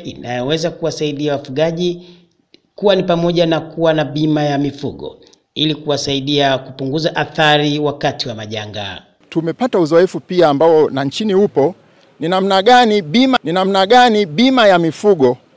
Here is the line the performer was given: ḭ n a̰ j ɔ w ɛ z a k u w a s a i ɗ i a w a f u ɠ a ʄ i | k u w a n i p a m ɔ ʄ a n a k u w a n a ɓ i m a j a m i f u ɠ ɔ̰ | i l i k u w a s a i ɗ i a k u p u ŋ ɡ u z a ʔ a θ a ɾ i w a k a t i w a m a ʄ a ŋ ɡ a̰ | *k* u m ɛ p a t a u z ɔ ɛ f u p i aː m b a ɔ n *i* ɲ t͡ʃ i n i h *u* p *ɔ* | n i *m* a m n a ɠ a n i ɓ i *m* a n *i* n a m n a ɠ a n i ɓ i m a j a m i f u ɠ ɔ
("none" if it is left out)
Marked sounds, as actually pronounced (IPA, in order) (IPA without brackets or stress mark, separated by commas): t, a, u, ɔ, n, m, i